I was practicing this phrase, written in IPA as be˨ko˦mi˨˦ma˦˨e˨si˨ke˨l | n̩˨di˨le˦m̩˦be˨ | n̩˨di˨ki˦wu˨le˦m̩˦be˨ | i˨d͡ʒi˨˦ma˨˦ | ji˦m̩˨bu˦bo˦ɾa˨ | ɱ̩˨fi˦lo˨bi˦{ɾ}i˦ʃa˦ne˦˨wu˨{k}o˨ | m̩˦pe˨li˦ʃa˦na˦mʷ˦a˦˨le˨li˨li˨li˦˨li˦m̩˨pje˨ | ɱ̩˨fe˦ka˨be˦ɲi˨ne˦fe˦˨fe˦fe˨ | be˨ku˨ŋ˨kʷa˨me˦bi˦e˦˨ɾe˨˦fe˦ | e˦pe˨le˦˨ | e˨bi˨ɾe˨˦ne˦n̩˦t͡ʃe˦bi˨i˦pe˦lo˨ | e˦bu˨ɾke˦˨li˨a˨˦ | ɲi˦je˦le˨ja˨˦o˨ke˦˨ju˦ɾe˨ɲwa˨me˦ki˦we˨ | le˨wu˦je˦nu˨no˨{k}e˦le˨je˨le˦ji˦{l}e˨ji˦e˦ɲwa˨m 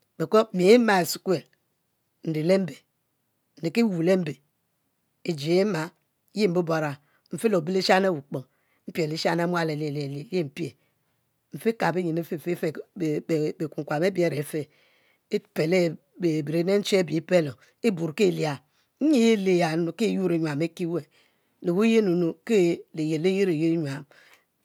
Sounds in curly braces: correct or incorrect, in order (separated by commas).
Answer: incorrect, incorrect, correct, incorrect